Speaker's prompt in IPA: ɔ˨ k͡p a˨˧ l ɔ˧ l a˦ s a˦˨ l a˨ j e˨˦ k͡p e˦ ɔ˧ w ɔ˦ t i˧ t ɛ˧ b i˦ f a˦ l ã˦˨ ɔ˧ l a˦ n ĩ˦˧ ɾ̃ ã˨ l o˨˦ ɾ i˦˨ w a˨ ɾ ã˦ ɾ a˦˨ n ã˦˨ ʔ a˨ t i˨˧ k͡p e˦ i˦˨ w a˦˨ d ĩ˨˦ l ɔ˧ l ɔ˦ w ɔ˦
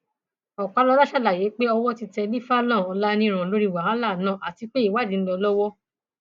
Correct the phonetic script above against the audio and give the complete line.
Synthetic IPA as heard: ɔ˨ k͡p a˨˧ l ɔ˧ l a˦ ʃ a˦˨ l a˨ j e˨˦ k͡p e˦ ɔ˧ w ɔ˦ t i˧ t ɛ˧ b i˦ f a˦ l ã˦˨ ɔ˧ l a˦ n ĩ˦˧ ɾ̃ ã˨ l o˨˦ ɾ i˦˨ w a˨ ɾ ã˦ l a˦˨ n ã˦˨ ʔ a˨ t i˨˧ k͡p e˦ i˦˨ w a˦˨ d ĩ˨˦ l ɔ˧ l ɔ˦ w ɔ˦